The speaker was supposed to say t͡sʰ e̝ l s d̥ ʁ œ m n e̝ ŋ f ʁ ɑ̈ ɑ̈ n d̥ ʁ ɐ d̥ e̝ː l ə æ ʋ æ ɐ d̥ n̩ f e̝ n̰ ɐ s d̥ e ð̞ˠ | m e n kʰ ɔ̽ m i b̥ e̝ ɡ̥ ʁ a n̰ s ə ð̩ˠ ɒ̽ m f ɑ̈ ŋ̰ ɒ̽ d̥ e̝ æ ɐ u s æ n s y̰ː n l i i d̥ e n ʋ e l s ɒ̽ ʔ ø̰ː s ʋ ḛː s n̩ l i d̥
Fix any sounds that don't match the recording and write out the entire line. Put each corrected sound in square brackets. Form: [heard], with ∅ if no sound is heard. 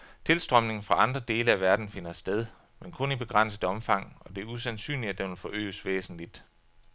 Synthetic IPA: t͡sʰ e̝ l s d̥ ʁ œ m n e̝ ŋ f ʁ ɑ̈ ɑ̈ n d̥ ʁ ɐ d̥ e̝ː l ə æ ʋ æ ɐ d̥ n̩ f e̝ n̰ ɐ s d̥ e ð̞ˠ | m e n kʰ ɔ̽ [n] i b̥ e̝ ɡ̥ ʁ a n̰ s ə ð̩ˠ ɒ̽ m f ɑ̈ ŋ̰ ɒ̽ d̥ e̝ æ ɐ u s æ n s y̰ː n l i [æ] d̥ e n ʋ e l [f] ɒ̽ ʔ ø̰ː s ʋ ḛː s n̩ l i d̥